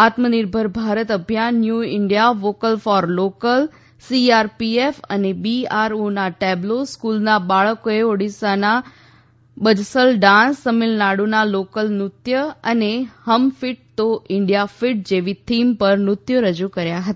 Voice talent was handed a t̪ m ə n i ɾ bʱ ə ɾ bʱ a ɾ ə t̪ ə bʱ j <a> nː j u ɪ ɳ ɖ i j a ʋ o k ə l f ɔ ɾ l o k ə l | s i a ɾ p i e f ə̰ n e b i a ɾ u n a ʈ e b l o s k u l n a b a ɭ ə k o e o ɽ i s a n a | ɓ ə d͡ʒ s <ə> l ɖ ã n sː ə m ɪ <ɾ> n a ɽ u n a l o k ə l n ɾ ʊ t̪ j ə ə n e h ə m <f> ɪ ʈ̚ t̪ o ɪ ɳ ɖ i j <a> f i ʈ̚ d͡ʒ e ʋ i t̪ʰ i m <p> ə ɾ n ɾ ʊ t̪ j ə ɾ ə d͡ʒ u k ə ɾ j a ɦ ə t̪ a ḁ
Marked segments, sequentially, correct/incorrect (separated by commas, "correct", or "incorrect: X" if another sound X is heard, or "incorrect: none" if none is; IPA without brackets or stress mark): correct, correct, incorrect: l, correct, correct, correct